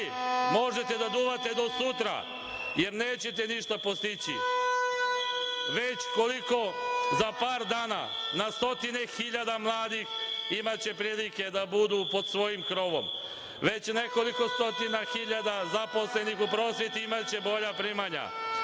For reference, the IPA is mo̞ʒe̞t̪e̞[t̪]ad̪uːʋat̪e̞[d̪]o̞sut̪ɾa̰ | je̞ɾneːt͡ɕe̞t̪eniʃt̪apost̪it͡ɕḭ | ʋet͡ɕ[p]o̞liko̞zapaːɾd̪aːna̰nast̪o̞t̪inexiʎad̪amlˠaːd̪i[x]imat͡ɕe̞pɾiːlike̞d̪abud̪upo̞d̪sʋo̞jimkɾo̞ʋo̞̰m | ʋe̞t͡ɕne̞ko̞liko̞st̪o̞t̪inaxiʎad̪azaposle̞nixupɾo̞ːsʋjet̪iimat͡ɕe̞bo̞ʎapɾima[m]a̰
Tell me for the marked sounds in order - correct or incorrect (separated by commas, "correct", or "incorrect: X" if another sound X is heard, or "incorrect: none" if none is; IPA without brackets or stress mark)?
incorrect: d̪, correct, incorrect: k, correct, incorrect: ɲ